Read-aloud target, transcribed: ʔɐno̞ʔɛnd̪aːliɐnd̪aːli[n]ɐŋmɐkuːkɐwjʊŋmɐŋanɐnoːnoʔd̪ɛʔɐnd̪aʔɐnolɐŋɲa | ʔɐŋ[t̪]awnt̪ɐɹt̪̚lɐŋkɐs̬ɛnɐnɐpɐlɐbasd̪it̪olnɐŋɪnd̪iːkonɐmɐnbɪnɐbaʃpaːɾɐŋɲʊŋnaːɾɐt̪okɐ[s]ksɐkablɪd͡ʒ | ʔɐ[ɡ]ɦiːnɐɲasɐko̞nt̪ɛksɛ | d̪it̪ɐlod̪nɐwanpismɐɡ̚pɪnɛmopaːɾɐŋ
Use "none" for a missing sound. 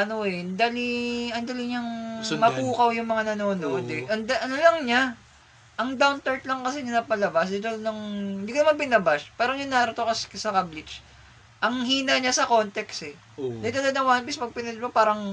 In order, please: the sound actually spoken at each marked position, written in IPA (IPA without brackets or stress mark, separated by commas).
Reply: ɲ, d̪, s, ŋ